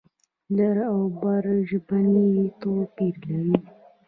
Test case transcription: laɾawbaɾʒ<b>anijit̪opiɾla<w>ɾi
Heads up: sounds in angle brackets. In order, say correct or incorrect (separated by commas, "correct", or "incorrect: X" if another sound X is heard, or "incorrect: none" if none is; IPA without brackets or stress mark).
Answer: correct, incorrect: none